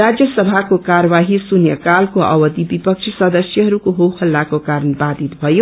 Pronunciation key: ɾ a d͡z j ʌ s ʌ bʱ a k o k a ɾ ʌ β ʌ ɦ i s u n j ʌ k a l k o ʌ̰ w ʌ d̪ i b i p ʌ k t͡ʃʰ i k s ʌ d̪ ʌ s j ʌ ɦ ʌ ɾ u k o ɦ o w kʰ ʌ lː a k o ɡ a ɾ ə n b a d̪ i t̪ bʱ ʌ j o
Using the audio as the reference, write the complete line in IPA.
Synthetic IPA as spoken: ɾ a d͡z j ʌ s ʌ bʱ a k o k a ɾ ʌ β a ɦ i s u n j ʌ k a l k o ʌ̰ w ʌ d̪ i b i p ʌ k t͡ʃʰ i s ʌ d̪ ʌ s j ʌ ɦ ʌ ɾ u k o ɦ o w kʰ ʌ lː a k o k a ɾ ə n b a d̪ i t̪ bʱ ʌ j o